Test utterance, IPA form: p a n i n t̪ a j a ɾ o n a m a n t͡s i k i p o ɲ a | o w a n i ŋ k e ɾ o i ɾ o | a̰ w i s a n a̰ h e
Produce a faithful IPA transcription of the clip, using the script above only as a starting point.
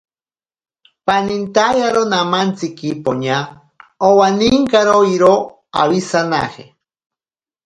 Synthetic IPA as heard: p a n i n t̪ a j a ɾ o n a m a n t͡s i k i p o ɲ a | o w a n i ŋ k a ɾ o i ɾ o | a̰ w i s a n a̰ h e